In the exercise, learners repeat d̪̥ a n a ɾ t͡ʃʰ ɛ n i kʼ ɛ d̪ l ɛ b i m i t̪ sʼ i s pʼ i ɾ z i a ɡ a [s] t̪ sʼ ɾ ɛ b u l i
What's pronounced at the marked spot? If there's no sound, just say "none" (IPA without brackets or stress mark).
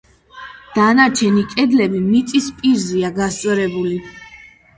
s